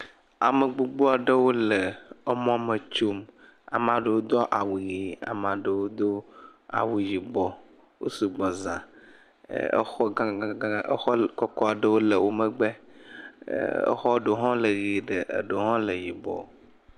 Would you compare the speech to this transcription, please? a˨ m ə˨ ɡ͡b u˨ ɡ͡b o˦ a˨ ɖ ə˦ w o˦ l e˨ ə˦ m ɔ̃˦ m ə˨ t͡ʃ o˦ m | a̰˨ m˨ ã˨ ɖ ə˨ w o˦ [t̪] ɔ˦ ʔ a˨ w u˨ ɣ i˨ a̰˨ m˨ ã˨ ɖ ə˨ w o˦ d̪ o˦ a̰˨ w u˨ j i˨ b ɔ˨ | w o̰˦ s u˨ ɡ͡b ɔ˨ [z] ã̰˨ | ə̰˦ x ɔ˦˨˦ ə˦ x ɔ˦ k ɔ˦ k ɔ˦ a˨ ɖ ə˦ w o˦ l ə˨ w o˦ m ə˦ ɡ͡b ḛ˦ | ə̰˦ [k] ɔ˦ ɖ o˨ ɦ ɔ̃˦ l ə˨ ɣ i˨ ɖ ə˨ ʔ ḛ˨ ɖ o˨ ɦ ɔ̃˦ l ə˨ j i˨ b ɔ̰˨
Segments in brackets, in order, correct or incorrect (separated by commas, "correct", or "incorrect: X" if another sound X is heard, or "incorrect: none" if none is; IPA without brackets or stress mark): incorrect: d̪, correct, incorrect: x